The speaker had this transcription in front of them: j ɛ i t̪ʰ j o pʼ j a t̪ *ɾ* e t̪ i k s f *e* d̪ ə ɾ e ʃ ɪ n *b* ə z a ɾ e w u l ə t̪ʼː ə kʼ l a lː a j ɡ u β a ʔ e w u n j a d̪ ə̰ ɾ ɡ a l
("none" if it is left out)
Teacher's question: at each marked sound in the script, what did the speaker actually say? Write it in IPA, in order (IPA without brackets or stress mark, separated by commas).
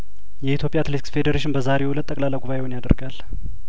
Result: l, e, b